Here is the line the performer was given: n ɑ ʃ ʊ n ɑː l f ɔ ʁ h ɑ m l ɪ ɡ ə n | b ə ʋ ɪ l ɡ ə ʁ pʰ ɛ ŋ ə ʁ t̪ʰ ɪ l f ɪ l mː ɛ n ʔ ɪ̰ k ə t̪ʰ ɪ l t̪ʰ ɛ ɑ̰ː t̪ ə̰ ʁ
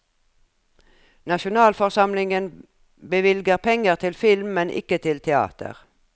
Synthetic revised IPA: n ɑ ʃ ʊ n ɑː l f ɔ ʁ s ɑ m l ɪ ŋ ə n | b ə ʋ ɪ l ɡ ə ʁ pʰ ɛ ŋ ə ʁ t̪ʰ ɪ l f ɪ l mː ɛ n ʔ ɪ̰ k ə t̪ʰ ɪ l t̪ʰ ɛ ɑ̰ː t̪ ə̰ ʁ